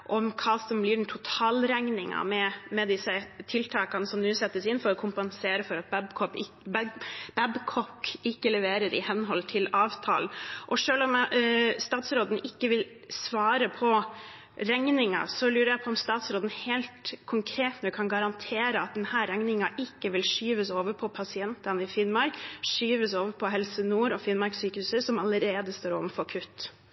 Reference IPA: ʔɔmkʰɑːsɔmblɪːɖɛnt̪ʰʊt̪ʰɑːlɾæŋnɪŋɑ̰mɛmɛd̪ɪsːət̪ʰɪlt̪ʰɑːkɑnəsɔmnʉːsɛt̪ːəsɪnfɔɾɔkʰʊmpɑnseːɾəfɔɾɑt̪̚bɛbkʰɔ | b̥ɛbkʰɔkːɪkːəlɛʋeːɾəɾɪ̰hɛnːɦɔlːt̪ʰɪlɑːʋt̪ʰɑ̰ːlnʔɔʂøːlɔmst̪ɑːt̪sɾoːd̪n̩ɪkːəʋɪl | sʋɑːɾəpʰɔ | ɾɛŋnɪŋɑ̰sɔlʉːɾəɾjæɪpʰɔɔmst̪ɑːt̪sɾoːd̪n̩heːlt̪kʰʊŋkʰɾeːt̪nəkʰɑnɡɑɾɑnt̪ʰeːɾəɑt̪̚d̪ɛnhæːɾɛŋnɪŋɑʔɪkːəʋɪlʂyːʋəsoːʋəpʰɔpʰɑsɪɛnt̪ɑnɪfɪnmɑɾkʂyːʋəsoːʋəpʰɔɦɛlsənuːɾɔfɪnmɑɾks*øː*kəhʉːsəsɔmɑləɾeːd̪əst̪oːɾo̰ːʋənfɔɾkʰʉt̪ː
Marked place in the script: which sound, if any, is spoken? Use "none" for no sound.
yː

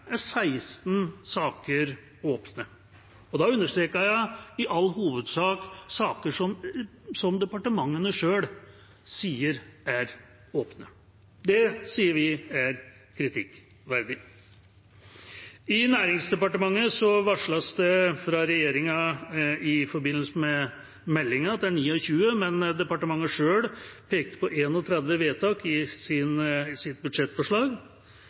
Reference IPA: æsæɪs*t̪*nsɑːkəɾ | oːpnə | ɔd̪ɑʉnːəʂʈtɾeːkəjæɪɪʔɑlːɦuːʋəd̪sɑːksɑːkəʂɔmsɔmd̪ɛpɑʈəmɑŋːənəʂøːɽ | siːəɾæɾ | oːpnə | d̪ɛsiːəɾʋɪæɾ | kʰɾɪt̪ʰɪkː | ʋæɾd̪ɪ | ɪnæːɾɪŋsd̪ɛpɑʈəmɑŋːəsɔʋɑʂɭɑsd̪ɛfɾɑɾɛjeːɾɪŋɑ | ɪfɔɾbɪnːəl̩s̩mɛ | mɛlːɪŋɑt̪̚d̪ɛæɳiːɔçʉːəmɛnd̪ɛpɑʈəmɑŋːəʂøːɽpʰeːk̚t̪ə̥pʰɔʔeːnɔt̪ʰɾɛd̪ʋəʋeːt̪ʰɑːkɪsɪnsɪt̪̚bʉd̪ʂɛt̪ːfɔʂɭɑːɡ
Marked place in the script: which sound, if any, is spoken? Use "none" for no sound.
t̪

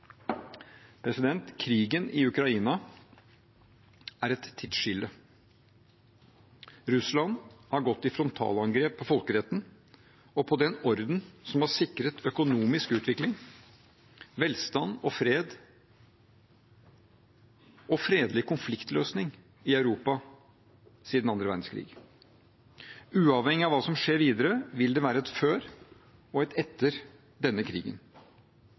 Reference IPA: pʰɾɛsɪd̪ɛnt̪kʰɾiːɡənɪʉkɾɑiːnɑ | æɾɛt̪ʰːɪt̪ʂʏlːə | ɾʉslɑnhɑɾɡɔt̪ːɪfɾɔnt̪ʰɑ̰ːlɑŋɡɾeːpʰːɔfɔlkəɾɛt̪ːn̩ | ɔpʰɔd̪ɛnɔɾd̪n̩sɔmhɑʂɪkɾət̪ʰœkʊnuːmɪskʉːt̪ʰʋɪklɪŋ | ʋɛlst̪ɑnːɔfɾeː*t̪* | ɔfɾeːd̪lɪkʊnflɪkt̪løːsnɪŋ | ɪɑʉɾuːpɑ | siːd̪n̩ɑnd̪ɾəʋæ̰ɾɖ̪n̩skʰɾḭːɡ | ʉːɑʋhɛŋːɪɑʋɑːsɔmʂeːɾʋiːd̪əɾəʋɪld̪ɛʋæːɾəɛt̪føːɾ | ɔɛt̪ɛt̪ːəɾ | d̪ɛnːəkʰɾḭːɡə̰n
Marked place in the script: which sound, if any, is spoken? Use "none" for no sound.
d̪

